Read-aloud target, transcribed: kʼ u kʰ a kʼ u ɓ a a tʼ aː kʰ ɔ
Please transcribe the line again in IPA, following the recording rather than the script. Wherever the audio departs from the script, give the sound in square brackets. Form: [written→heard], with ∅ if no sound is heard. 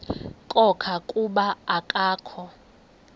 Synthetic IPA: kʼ [u→ɔ] kʰ a kʼ u ɓ a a [tʼ→kʼ] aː kʰ ɔ